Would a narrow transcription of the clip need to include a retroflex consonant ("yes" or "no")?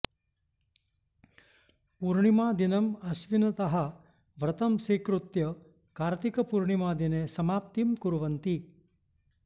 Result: yes